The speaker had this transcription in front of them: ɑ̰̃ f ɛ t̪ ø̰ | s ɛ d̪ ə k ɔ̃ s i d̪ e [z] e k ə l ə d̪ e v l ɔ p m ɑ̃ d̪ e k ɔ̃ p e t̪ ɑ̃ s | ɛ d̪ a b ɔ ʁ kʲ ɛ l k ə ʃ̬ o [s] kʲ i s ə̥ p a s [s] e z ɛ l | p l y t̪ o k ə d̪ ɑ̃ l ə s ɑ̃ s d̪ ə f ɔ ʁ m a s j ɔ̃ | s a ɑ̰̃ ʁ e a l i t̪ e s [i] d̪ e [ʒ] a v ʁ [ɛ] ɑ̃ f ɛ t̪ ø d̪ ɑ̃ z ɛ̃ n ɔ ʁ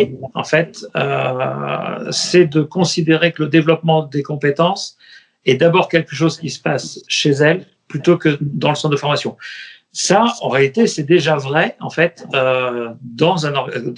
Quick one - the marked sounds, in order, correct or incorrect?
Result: incorrect: ʁ, incorrect: z, incorrect: ʃ, incorrect: ɛ, correct, correct

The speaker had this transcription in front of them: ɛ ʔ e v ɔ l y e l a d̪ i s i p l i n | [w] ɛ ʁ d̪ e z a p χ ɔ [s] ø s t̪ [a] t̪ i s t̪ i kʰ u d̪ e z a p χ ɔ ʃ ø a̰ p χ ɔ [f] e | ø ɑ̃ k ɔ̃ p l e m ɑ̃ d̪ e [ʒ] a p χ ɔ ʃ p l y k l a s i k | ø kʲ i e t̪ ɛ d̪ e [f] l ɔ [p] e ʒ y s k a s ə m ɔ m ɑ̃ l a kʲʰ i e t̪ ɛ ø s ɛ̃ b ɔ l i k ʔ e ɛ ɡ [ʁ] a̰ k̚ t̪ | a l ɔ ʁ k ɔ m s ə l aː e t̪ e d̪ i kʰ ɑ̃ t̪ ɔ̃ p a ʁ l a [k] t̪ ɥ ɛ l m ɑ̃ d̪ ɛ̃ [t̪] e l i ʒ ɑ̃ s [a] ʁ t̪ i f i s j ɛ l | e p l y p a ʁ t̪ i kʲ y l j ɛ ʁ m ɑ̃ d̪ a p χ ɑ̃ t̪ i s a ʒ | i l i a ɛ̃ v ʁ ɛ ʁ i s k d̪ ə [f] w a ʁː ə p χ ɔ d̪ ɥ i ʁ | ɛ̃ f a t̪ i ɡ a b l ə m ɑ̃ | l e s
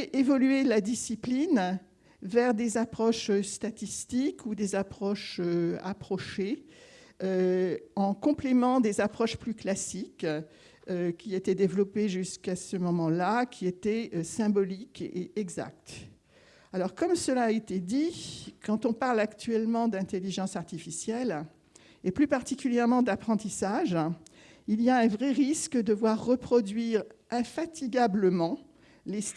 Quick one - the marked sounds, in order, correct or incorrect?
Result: incorrect: v, incorrect: ʃ, correct, incorrect: ʃ, incorrect: z, incorrect: v, correct, incorrect: z, correct, correct, correct, incorrect: v

